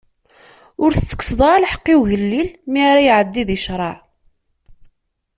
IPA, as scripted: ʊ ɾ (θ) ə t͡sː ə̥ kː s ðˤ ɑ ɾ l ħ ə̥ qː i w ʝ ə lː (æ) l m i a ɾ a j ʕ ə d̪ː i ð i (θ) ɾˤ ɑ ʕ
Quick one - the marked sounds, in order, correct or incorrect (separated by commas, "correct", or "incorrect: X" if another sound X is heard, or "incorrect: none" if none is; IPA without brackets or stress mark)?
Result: correct, incorrect: i, incorrect: ʃ